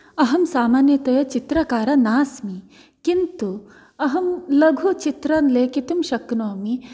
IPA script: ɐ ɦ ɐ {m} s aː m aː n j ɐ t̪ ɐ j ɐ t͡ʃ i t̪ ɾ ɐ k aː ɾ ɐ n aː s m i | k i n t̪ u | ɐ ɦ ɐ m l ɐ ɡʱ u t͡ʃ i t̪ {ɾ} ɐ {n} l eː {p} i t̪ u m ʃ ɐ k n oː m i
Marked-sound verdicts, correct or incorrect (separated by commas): correct, correct, correct, incorrect